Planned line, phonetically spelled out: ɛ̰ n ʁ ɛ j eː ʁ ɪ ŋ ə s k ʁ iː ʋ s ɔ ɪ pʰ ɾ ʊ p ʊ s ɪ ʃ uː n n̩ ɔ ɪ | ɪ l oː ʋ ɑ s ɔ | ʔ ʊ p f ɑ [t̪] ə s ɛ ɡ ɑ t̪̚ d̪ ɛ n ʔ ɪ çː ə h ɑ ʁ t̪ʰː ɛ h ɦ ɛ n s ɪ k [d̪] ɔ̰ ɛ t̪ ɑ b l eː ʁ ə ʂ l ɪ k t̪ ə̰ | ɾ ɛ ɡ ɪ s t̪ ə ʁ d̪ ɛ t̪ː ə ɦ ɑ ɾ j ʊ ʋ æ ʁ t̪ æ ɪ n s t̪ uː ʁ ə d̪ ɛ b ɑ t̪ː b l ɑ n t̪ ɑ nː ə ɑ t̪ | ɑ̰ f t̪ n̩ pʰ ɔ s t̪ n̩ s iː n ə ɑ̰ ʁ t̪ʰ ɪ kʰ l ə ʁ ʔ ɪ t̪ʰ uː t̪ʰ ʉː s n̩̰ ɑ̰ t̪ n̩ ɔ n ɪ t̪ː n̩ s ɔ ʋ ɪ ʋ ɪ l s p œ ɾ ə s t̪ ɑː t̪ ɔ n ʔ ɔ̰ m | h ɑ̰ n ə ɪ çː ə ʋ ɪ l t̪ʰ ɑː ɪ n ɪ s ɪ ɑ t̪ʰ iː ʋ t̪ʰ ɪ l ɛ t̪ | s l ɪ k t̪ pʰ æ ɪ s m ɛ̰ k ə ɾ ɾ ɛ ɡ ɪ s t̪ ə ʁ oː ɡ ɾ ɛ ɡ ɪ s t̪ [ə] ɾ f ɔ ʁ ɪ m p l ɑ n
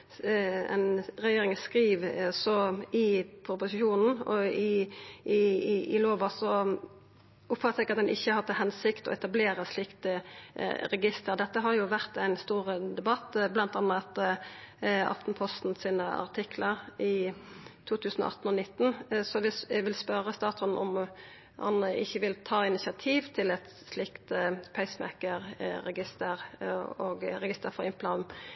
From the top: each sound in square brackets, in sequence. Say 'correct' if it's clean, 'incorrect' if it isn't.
correct, incorrect, correct

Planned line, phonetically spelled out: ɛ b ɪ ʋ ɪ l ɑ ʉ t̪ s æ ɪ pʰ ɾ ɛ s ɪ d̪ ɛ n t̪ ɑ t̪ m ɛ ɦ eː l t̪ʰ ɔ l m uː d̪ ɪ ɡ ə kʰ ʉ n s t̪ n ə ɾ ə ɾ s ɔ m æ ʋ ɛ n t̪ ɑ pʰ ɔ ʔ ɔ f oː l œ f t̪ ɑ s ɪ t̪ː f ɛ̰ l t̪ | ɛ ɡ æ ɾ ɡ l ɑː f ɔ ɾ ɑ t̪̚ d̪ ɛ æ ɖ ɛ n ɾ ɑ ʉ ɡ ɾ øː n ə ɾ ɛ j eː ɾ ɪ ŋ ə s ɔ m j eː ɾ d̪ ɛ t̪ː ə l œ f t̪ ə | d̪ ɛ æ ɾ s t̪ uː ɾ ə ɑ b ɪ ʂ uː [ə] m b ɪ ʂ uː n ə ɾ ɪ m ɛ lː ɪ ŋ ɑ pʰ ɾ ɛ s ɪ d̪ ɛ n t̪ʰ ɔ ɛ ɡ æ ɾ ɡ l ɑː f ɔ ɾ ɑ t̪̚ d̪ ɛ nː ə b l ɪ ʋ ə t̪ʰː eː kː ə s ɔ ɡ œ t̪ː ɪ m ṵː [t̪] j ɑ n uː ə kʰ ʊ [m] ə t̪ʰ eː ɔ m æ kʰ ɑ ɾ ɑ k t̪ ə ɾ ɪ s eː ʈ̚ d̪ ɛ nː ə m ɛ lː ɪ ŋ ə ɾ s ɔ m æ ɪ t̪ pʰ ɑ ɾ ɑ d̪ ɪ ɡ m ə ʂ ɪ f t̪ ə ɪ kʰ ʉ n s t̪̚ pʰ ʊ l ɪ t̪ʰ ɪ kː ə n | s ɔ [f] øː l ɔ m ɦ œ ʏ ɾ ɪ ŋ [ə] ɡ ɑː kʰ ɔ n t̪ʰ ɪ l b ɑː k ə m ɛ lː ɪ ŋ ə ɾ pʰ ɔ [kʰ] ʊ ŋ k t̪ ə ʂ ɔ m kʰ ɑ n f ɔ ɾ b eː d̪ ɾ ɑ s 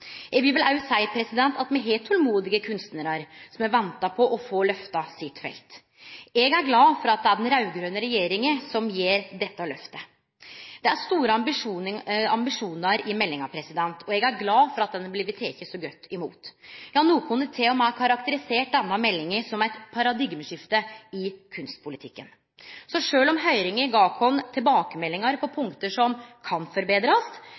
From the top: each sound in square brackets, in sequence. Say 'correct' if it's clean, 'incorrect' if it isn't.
incorrect, correct, incorrect, incorrect, correct, incorrect

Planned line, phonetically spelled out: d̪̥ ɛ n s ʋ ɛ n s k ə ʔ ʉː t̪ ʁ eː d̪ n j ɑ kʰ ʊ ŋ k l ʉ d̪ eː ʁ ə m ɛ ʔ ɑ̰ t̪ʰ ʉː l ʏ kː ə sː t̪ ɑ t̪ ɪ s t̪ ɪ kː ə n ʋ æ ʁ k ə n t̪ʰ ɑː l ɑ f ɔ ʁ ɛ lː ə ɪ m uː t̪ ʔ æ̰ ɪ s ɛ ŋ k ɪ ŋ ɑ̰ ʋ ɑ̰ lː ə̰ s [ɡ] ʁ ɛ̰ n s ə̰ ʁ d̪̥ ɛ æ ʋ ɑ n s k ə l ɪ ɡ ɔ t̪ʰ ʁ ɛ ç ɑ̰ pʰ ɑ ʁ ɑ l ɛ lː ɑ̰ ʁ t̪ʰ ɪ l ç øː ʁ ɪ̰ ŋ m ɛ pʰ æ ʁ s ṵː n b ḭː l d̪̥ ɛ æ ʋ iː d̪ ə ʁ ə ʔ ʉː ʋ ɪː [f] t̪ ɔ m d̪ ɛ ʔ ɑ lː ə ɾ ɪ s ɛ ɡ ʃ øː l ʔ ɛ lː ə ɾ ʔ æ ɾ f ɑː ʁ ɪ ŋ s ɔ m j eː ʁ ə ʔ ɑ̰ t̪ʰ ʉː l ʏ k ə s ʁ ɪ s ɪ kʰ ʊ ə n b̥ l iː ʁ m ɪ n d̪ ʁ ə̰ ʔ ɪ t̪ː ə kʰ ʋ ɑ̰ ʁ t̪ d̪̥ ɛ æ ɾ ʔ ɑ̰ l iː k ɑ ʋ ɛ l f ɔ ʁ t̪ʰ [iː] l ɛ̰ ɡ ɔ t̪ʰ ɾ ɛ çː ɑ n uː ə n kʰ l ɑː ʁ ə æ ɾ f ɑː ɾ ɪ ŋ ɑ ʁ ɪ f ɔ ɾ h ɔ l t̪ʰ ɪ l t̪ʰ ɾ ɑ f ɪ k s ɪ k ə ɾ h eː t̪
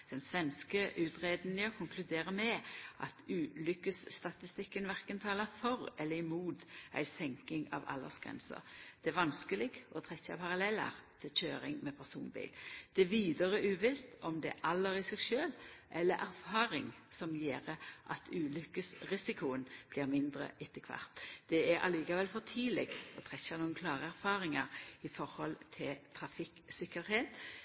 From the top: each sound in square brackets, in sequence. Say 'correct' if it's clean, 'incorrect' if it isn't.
correct, incorrect, correct

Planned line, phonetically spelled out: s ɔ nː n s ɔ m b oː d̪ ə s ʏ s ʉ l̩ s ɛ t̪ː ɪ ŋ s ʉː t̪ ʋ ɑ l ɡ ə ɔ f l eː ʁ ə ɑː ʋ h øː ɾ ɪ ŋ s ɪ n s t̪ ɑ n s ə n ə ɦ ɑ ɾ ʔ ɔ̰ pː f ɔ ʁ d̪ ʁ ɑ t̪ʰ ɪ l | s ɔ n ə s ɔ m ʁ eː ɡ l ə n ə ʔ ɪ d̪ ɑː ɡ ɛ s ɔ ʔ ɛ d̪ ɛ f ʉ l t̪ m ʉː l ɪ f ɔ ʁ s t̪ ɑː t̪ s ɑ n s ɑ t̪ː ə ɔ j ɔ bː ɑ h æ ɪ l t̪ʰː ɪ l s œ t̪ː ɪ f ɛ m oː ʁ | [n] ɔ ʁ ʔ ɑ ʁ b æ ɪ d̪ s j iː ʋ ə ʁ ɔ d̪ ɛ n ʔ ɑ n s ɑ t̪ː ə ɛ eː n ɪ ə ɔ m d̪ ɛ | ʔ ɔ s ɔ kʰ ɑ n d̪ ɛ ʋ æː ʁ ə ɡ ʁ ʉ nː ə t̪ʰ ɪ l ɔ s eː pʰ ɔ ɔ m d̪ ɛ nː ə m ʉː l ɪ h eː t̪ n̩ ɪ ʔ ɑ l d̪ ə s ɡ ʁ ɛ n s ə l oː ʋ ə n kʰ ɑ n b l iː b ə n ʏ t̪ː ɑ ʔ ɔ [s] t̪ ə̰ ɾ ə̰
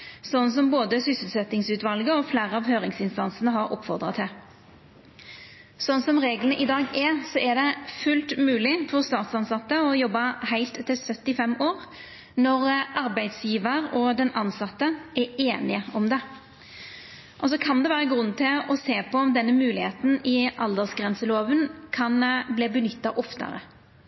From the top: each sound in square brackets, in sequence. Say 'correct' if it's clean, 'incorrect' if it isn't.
correct, incorrect

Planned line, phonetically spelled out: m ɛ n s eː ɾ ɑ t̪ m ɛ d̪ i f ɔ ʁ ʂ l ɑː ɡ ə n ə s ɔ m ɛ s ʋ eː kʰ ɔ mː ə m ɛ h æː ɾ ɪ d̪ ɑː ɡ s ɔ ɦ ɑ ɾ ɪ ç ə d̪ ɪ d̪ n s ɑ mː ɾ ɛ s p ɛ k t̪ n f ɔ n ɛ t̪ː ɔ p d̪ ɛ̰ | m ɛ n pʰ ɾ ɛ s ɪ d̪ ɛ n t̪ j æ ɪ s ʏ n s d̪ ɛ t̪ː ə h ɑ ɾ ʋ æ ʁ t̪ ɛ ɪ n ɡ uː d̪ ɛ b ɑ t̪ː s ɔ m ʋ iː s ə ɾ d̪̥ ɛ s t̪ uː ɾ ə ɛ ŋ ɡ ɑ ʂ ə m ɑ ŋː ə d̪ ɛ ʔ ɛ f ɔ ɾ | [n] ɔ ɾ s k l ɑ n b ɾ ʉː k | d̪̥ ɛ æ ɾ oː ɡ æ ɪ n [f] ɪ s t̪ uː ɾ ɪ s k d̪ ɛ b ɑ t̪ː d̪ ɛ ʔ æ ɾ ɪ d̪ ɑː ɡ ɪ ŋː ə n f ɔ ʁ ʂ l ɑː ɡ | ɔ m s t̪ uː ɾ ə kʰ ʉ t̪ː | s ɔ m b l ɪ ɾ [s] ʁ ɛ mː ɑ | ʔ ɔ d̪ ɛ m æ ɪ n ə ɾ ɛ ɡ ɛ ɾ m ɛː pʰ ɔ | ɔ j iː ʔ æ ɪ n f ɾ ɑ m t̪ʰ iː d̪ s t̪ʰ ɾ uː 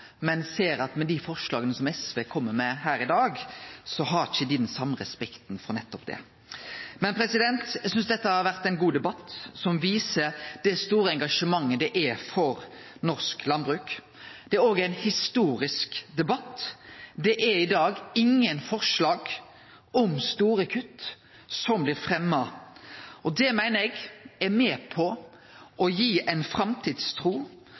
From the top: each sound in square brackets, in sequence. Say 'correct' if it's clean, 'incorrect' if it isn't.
correct, incorrect, incorrect

